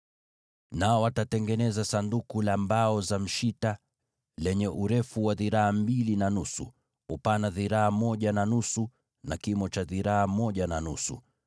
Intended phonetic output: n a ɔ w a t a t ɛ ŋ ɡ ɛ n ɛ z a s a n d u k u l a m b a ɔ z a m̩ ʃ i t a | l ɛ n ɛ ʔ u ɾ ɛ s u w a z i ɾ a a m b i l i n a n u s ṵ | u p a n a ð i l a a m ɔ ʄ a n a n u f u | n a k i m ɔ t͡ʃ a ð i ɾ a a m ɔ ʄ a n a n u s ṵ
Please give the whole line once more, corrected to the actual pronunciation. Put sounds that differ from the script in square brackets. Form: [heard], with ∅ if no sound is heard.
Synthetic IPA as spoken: n a ɔ w a t a t ɛ ŋ ɡ ɛ n ɛ z a s a n d u k u l a m b a ɔ z a m̩ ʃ i t a | l ɛ [ɲ] ɛ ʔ u ɾ ɛ [f] u w a [ð] i ɾ a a m b i l i n a n u s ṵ | u p a n a ð i [ɾ] a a m ɔ ʄ a n a n u [s] u | n a k i m ɔ t͡ʃ a ð i ɾ a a m ɔ ʄ a n a n u s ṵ